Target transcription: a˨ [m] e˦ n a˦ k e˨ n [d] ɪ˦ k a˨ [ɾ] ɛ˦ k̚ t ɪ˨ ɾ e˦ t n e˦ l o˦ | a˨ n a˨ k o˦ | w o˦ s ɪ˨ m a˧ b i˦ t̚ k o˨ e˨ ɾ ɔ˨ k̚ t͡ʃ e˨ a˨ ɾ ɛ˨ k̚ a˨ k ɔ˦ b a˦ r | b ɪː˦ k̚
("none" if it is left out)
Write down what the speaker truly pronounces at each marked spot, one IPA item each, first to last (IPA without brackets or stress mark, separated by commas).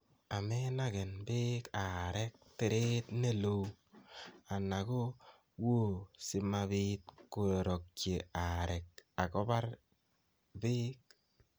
m, b, ɾ